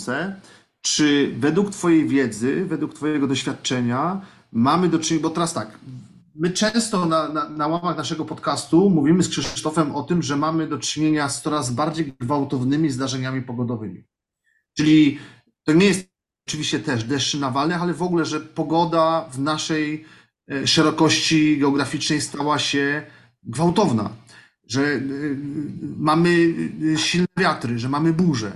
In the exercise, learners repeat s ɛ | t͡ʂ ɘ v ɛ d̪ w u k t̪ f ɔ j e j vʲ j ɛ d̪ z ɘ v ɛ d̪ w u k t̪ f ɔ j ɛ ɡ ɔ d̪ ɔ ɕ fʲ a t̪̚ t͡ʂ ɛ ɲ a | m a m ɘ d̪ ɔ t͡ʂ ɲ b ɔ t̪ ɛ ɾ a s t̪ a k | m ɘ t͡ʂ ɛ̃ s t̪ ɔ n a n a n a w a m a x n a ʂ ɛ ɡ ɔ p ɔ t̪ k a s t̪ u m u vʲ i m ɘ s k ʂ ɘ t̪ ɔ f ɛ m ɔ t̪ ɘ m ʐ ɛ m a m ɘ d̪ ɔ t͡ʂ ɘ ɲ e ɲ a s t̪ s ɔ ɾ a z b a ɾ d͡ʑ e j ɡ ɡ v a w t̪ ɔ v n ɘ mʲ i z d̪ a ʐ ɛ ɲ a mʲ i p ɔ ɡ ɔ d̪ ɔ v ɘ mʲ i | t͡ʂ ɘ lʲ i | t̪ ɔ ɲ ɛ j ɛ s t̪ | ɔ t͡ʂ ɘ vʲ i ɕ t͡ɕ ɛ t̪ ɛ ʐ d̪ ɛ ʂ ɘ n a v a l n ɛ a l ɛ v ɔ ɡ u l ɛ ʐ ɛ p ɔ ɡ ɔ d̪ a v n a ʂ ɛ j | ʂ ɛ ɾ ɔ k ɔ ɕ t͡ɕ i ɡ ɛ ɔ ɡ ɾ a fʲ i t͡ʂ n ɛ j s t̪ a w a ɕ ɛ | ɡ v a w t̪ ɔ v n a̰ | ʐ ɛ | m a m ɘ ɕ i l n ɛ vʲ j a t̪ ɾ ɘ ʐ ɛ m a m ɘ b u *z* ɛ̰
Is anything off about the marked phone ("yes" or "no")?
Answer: yes